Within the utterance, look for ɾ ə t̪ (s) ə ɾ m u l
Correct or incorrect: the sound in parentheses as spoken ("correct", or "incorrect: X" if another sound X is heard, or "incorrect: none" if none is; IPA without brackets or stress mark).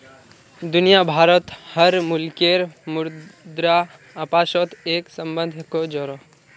incorrect: h